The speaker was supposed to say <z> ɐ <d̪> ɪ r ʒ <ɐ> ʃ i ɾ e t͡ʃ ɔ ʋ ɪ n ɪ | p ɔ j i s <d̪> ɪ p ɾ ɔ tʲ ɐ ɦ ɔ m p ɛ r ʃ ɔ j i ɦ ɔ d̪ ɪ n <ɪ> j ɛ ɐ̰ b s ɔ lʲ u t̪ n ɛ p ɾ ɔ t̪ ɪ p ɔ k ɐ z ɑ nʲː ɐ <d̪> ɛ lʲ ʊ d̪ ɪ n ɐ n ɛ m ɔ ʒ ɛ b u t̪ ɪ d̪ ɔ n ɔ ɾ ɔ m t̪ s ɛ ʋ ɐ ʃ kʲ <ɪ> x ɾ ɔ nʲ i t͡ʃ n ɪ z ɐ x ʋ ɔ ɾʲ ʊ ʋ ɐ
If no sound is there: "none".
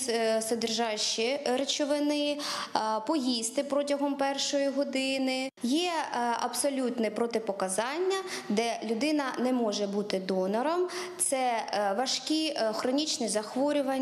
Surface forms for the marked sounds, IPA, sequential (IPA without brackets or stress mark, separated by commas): s, d̪, ɑ, t̪, ɪ, d̪, i